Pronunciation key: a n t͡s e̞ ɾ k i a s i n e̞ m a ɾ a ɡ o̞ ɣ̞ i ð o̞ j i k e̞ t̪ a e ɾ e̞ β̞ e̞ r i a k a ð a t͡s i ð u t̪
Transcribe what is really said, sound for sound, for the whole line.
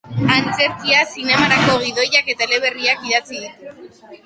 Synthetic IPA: a n t͡s e̞ ɾ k i a s i n e̞ m a ɾ a k o̞ ɣ̞ i ð o̞ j a k e̞ t̪ a e l e̞ β̞ e̞ r i a k i ð a t͡s i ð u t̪